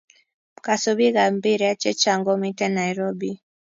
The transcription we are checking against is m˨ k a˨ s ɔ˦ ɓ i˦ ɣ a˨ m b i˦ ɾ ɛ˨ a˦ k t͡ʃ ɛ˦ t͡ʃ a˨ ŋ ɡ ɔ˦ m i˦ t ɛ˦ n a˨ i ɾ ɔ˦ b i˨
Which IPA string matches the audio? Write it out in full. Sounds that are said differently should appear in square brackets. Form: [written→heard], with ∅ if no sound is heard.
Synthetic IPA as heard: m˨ k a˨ s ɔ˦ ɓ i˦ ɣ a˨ m b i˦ ɾ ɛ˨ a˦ [k→∅] t͡ʃ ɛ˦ t͡ʃ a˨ ŋ ɡ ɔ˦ m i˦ t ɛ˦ n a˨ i ɾ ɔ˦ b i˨